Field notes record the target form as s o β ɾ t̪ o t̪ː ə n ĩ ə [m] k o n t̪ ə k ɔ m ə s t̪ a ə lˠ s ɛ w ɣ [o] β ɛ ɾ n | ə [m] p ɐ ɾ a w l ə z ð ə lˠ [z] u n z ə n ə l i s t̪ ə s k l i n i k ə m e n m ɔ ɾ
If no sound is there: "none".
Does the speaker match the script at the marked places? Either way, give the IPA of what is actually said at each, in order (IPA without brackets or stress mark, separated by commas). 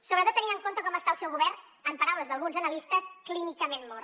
ŋ, u, m, ɣ